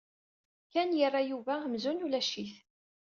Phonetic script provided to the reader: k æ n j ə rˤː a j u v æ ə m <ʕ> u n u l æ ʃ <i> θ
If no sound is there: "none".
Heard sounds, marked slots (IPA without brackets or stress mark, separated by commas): z, i